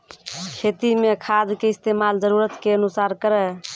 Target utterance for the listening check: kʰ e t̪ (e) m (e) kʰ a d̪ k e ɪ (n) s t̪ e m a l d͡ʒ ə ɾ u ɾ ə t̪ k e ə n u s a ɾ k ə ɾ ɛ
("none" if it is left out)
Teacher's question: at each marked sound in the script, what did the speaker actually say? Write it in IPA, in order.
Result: i, e, none

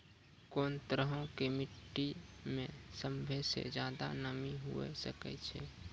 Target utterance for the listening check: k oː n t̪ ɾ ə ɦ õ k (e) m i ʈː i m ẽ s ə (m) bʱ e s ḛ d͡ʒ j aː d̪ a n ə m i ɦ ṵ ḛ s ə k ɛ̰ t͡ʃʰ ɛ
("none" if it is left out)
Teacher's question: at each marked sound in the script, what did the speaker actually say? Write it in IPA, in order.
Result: e, m

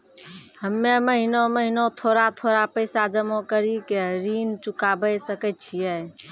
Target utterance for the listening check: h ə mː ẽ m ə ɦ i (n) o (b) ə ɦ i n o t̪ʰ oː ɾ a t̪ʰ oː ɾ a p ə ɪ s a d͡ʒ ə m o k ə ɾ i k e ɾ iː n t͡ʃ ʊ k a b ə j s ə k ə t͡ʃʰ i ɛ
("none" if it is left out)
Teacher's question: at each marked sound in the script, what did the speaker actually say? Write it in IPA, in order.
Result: n, m

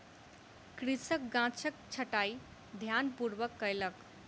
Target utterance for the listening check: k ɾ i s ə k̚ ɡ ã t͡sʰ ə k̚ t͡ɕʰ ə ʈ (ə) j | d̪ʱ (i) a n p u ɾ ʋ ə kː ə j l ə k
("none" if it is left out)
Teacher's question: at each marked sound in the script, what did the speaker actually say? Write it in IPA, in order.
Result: a, j

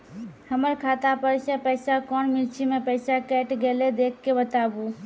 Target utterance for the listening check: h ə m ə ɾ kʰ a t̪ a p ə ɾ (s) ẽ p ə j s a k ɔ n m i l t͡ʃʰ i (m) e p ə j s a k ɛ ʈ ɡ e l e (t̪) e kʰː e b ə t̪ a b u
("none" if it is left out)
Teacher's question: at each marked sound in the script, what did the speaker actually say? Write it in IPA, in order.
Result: s, m, d̪

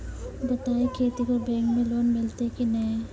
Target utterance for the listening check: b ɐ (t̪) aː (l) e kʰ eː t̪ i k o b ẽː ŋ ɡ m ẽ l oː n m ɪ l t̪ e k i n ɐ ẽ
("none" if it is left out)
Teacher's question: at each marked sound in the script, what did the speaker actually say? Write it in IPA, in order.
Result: t̪, none

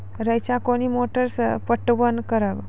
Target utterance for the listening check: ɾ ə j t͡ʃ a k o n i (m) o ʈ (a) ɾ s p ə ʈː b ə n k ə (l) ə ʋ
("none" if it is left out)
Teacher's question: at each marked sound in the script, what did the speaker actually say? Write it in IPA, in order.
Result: m, ə, ɾ

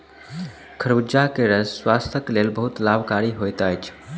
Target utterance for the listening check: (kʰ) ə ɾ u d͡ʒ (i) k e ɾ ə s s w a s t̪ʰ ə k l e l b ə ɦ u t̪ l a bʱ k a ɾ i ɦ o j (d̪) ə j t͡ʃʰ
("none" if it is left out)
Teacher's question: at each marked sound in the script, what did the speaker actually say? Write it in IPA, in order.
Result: kʰ, a, t̪

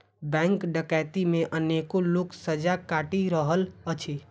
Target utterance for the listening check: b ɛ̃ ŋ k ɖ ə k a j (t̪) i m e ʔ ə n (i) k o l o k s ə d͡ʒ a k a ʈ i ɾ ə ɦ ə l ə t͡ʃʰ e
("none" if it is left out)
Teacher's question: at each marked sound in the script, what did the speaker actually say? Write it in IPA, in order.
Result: t̪, e

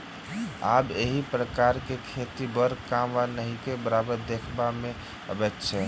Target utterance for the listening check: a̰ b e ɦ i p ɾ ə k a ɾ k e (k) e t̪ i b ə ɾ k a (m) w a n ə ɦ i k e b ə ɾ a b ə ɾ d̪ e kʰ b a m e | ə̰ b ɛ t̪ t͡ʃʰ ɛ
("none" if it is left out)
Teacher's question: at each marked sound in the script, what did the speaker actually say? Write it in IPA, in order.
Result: kʰ, m

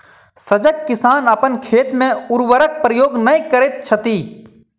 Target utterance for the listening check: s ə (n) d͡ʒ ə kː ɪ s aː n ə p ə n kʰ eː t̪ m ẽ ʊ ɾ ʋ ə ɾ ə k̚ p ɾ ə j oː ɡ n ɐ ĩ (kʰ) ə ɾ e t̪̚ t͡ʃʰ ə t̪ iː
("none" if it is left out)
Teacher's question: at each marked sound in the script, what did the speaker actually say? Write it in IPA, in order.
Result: none, k

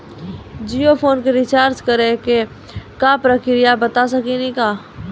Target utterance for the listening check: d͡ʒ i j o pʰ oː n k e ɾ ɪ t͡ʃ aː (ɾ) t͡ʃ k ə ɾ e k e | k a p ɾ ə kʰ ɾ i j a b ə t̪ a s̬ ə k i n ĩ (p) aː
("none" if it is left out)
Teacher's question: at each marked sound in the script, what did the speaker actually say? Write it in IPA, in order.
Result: ɾ, k

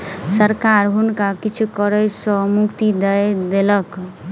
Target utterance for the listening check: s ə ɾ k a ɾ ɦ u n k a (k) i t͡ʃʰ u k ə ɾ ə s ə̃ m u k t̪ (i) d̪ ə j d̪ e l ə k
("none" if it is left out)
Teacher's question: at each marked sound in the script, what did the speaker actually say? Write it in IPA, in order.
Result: k, i

